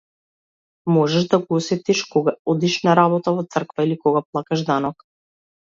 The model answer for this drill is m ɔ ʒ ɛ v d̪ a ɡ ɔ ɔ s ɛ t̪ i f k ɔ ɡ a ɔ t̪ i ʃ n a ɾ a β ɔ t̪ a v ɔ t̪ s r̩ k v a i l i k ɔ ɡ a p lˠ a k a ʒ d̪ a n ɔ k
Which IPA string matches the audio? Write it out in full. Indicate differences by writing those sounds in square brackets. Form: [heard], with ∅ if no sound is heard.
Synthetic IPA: m ɔ ʒ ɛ [ʒ] d̪ a ɡ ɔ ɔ s ɛ t̪ i [ʃ] k ɔ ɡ a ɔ [d̪] i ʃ n a ɾ a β ɔ t̪ a v ɔ t̪ s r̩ k v a i l i k ɔ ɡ a p lˠ a k a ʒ d̪ a n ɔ k